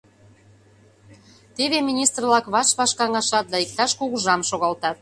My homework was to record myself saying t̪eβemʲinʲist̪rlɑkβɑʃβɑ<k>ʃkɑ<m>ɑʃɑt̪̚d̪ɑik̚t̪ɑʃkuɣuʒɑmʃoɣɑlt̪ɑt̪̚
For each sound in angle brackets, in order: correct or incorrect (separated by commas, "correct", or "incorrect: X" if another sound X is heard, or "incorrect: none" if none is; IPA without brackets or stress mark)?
incorrect: none, incorrect: ŋ